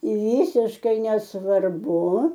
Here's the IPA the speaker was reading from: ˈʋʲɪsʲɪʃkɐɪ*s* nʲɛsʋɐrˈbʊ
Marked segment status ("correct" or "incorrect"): incorrect